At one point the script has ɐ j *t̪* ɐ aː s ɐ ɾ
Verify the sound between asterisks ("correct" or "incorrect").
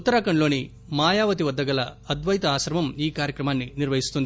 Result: correct